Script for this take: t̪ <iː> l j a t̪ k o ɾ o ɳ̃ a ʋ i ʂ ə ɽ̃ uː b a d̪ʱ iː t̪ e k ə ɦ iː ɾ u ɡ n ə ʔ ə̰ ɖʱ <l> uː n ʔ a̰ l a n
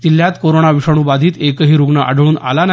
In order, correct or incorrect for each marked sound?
incorrect: i, incorrect: ɭ

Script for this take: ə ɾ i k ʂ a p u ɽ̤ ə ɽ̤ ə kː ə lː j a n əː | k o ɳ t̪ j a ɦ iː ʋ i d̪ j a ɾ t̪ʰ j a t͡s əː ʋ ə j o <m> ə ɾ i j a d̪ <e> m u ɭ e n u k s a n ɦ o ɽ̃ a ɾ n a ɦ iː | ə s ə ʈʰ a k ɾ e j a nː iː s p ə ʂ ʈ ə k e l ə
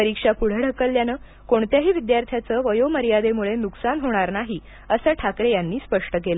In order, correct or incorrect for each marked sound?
correct, correct

